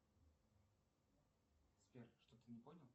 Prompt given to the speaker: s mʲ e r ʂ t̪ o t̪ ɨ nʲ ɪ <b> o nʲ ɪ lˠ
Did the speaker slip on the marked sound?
yes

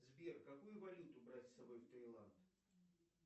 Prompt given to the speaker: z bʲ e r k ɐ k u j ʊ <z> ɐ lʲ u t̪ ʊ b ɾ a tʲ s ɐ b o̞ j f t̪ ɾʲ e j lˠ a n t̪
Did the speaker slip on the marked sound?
yes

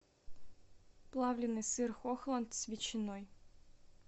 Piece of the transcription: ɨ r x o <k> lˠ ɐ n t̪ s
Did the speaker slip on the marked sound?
yes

